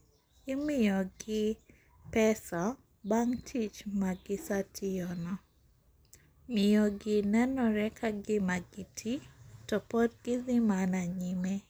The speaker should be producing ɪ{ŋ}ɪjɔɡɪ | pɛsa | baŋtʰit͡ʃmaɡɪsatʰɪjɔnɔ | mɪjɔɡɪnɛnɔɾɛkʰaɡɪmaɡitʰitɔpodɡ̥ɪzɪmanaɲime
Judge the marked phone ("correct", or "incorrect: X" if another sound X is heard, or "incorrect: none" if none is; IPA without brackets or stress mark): incorrect: m